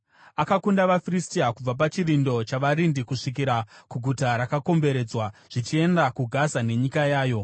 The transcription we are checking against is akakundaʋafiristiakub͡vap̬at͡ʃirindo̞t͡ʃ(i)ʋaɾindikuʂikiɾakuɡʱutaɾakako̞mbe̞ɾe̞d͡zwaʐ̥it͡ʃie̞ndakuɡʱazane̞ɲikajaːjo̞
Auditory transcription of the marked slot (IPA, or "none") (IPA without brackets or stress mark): a